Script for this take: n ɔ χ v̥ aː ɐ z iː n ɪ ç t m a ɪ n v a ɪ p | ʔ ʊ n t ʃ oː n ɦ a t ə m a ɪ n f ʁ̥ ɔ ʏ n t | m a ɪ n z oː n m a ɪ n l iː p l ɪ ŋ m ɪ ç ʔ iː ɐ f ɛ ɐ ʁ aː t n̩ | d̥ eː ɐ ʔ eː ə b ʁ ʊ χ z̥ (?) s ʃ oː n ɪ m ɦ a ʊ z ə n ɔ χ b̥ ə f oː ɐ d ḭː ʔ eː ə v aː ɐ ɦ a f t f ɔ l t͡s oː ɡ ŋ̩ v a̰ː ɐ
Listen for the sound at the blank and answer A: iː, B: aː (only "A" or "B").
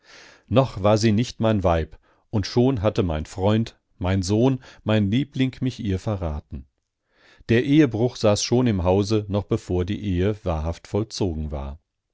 B